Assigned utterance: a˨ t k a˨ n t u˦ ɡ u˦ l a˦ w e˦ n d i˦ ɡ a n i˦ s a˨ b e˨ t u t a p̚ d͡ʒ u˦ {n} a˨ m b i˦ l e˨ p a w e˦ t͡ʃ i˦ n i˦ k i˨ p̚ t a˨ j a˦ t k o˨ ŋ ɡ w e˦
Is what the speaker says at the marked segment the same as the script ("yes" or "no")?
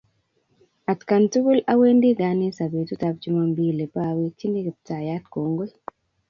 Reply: no